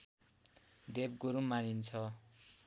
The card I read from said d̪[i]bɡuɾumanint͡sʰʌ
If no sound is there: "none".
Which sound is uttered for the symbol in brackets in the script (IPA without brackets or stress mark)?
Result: e